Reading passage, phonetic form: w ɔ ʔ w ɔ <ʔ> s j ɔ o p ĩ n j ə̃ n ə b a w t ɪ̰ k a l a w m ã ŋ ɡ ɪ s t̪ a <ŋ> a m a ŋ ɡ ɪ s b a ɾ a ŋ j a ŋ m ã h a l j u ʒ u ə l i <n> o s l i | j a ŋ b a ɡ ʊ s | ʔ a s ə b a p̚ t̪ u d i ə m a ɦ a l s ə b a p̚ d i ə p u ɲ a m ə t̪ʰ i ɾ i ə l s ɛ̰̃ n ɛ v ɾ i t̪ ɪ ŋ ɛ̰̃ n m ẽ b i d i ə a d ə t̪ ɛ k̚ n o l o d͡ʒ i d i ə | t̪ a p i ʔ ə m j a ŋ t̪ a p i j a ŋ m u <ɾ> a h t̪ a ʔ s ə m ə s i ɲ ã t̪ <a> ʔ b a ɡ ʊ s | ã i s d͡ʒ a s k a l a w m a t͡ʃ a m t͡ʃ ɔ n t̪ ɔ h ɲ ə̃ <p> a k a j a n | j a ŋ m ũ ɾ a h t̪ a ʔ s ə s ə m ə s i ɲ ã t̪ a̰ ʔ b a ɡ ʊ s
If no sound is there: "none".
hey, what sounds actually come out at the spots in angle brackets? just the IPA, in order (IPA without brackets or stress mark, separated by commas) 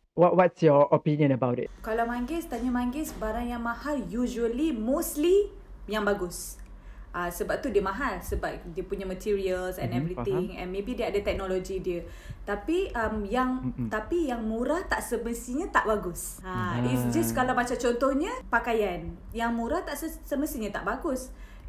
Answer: t, ɲ, m, ɾ, a, p